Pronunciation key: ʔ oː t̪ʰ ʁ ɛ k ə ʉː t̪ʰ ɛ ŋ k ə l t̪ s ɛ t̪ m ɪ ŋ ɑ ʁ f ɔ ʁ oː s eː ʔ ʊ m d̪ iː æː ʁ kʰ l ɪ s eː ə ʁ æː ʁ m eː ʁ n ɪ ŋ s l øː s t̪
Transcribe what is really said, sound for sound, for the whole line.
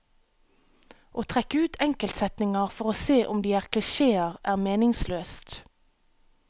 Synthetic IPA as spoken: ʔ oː t̪ʰ ʁ ɛ k ə ʉː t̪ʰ ɛ ŋ k ə l t̪ s ɛ t̪ n ɪ ŋ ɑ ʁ f ɔ ʁ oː s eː ʔ ʊ m d̪ iː æː ʁ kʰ l ɪ ʃ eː ə ʁ æː ʁ m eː n ɪ ŋ s l øː s t̪